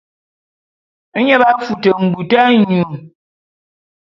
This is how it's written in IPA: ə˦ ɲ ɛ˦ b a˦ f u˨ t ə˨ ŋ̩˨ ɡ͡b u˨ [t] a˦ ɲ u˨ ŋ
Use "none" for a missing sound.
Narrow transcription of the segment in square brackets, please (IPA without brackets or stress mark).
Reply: t